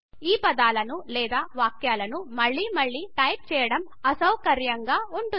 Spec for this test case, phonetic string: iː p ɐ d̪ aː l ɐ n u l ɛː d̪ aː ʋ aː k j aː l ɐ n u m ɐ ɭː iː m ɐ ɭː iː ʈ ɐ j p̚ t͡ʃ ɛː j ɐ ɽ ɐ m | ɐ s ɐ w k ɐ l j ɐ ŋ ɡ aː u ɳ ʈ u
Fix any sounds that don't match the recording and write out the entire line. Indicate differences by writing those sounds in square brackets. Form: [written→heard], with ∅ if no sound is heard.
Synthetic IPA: iː p ɐ d̪ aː l ɐ n u l ɛː d̪ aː ʋ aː k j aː l ɐ n u m ɐ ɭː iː m ɐ ɭː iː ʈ ɐ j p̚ t͡ʃ ɛː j ɐ ɽ ɐ m | ɐ s ɐ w k ɐ [l→ɾ] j ɐ ŋ ɡ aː u ɳ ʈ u

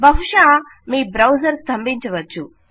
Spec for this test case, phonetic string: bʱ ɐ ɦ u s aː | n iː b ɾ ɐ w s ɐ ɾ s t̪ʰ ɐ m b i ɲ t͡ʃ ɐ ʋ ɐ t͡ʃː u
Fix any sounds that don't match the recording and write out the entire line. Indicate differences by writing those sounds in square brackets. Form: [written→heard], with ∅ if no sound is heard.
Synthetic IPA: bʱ ɐ ɦ u [s→ʂ] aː | [n→m] iː b ɾ ɐ w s ɐ ɾ s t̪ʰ ɐ m b i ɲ t͡ʃ ɐ ʋ ɐ t͡ʃː u

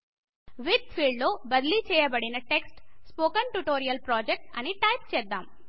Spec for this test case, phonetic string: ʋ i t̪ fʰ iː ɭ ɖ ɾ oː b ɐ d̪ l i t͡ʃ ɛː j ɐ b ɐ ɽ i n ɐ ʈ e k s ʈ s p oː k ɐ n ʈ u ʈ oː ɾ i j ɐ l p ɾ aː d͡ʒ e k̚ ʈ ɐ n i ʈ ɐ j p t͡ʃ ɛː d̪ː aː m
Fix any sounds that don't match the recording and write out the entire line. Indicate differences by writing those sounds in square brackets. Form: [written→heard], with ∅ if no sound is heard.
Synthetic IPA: ʋ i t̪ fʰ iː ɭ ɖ [ɾ→l] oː b ɐ d̪ l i t͡ʃ ɛː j ɐ b ɐ ɽ i n ɐ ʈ e k s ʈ s p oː k ɐ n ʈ u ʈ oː ɾ i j ɐ l p ɾ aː d͡ʒ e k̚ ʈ ɐ n i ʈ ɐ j p t͡ʃ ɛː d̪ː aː m

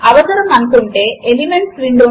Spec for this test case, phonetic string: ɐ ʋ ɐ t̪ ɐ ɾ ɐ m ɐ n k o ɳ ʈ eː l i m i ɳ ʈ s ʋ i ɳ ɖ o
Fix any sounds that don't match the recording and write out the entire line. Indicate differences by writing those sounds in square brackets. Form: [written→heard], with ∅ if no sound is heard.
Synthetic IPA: ɐ ʋ ɐ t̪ ɐ ɾ ɐ m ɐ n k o ɳ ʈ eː l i m [i→e] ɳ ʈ s ʋ i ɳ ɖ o

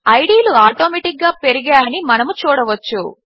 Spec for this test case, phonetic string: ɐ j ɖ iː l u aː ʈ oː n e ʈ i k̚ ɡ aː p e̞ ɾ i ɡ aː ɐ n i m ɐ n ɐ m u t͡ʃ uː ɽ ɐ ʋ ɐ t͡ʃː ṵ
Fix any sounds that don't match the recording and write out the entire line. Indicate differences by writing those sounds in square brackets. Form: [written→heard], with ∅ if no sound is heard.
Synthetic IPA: ɐ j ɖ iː l u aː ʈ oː [n→m] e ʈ i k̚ ɡ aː p e̞ ɾ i ɡ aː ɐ n i m ɐ n ɐ m u t͡ʃ uː ɽ ɐ ʋ ɐ t͡ʃː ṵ

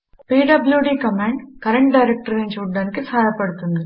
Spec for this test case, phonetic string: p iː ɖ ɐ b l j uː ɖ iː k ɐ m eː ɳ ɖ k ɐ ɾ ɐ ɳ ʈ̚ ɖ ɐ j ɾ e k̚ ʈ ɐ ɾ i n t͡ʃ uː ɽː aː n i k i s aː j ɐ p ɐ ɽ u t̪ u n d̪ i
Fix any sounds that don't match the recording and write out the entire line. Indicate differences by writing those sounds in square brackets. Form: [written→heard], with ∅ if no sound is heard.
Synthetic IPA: p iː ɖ ɐ b l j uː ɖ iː k ɐ m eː ɳ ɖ k ɐ ɾ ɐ ɳ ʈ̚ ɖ ɐ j ɾ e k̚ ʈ ɐ ɾ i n t͡ʃ uː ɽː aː n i k i s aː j ɐ p ɐ ɽ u t̪ u n d̪ i

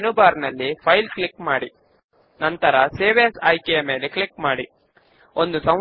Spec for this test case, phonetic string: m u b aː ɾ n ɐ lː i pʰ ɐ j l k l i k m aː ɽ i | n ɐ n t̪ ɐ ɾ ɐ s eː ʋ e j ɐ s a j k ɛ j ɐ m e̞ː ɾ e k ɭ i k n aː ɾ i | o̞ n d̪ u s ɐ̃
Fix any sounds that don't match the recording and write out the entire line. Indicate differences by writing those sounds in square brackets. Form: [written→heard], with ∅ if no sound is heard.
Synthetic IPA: [m→n] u b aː ɾ n ɐ lː i pʰ ɐ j l k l i k m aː ɽ i | n ɐ n t̪ ɐ ɾ ɐ s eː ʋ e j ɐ s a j k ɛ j ɐ m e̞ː [ɾ→l] e k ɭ i k [n→m] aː [ɾ→ɽ] i | o̞ n d̪ u s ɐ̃

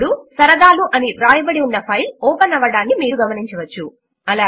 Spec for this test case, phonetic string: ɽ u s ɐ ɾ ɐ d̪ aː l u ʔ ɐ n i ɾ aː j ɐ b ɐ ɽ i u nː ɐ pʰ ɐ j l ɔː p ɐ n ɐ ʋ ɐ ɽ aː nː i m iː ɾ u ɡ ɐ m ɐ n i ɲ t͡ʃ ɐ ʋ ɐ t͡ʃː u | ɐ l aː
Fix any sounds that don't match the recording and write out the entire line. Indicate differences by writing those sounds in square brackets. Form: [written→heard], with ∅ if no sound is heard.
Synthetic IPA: ɽ u s ɐ ɾ ɐ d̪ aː l u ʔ ɐ n i ɾ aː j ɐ b ɐ ɽ i u nː ɐ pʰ ɐ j l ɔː p ɐ n ɐ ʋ ɐ ɽ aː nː i m iː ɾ u ɡ ɐ m ɐ n i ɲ t͡ʃ ɐ ʋ ɐ t͡ʃː u | ɐ l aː

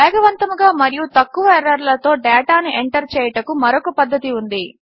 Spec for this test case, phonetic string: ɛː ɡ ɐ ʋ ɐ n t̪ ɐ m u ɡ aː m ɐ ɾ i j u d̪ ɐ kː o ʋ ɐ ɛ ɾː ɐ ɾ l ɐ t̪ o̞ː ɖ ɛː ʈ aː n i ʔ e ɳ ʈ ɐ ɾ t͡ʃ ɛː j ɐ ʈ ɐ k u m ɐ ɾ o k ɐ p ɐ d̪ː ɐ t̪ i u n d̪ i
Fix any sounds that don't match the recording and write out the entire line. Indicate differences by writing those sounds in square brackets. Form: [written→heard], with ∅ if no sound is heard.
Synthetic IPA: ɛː ɡ ɐ ʋ ɐ n t̪ ɐ m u ɡ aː m ɐ ɾ i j u [d̪→t̪] ɐ kː [o→u] ʋ ɐ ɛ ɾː ɐ ɾ l ɐ t̪ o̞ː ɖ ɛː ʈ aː n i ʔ e ɳ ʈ ɐ ɾ t͡ʃ ɛː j ɐ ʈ ɐ k u m ɐ ɾ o k ɐ p ɐ d̪ː ɐ t̪ i u n d̪ i

